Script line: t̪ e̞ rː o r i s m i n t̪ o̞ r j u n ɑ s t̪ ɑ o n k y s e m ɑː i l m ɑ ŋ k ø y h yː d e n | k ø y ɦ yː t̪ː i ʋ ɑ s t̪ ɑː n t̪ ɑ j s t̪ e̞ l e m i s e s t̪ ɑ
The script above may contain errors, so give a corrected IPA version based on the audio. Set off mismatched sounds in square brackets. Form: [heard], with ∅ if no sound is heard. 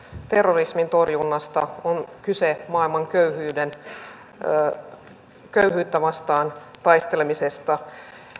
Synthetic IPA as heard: t̪ e̞ rː o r i s m i n t̪ o̞ r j u [nː] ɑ s t̪ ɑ o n k y s e m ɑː i l m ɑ ŋ k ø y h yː d e n | k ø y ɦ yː t̪ː [æ] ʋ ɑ s t̪ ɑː n t̪ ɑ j s t̪ e̞ l e m i s e s t̪ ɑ

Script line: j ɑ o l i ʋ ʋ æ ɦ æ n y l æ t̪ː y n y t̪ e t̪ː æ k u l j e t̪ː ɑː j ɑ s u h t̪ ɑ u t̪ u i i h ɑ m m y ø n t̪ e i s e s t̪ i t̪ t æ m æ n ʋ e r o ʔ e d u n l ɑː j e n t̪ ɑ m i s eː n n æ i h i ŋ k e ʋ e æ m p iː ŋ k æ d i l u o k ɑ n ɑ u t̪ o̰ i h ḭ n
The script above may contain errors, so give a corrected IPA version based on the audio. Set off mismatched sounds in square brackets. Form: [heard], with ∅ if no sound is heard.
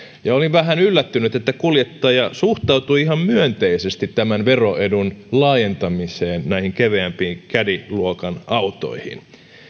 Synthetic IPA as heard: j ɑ o l i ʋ ʋ æ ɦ æ n y [lː] æ t̪ː y n y t̪ e t̪ː æ k u l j e t̪ː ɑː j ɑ s u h t̪ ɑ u t̪ u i i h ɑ m m y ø n t̪ e i s e s t̪ i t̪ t æ m æ n ʋ e r o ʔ e d u n l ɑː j e n t̪ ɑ m i s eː n n æ i h i ŋ k e ʋ e æ m p iː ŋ k æ d i l u o k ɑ n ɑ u t̪ o̰ i h ḭ n

